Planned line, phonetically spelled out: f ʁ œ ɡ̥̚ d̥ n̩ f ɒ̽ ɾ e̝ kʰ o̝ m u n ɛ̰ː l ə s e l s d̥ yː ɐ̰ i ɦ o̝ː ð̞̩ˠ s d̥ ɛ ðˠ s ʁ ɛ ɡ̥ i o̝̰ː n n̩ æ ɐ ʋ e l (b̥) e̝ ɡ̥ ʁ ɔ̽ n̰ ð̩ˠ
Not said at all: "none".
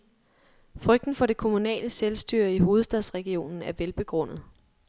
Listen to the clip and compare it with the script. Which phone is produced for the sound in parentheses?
b̥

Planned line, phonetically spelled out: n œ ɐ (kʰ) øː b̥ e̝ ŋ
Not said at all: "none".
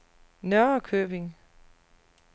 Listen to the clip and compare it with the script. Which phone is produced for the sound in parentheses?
kʰ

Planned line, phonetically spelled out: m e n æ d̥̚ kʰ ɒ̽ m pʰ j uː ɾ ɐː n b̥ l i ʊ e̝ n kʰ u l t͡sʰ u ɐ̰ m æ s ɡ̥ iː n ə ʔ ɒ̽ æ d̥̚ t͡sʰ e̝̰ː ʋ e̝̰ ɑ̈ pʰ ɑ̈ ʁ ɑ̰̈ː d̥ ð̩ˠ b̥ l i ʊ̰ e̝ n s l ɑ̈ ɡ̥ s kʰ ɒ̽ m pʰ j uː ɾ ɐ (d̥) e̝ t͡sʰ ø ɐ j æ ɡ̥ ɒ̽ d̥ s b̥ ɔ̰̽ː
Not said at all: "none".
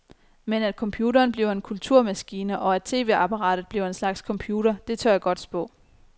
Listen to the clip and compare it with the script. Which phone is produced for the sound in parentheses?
d̥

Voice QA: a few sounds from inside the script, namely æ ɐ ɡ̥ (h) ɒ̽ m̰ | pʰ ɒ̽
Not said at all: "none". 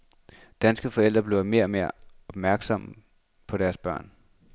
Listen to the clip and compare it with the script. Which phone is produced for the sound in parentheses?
s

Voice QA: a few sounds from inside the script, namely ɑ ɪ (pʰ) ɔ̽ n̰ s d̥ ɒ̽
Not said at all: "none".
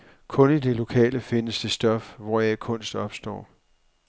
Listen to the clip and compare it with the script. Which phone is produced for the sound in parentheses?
kʰ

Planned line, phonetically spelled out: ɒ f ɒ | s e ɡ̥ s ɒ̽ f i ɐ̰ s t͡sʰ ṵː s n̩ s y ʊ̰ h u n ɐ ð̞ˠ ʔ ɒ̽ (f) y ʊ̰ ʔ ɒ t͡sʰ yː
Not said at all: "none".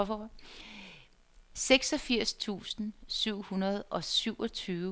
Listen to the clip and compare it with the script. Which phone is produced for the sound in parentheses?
s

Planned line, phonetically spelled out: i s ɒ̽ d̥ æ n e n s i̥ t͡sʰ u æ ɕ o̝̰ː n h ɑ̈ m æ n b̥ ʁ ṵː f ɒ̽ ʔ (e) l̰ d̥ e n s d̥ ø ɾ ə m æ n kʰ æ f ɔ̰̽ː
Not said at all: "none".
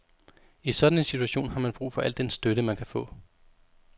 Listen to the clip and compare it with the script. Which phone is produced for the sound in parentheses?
æ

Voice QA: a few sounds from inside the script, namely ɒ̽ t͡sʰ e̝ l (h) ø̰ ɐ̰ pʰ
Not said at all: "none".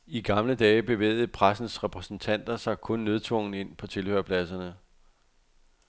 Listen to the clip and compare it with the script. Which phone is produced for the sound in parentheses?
h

